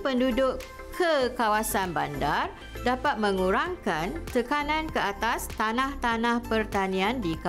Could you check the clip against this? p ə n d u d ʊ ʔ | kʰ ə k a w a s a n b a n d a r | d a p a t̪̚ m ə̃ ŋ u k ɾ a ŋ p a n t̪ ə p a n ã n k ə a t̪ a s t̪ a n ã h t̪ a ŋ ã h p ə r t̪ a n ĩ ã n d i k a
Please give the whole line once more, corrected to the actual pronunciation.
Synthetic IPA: p ə n d u d ʊ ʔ | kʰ ə k a w a s a n b a n d a r | d a p a t̪̚ m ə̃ ŋ u ɾ a ŋ k a n t̪ ə k a n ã n k ə a t̪ a s t̪ a n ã h t̪ a n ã h p ə r t̪ a n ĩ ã n d i k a

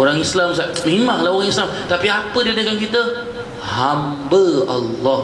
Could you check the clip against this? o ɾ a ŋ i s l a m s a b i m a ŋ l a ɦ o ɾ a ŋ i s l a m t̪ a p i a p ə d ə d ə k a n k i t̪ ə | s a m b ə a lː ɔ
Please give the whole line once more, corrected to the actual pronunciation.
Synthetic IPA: o ɾ a ŋ i s l a m s a m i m a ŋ l a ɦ o ɾ a ŋ i s l a m t̪ a p i a p ə d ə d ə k a n k i t̪ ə | h a m b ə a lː ɔ

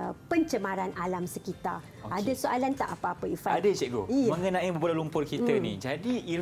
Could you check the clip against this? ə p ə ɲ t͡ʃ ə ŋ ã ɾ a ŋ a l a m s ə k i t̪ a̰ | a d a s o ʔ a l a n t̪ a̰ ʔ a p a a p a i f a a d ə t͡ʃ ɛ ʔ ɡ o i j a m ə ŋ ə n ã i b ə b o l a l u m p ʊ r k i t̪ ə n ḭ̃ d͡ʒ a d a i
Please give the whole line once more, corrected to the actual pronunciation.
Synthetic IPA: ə p ə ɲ t͡ʃ ə m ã ɾ a n a l a m s ə k i t̪ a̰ | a d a s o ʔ a l a n t̪ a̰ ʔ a p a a p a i f a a d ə t͡ʃ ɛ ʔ ɡ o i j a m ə ŋ ə n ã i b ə b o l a l u m p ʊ r k i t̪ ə n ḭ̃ d͡ʒ a d i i

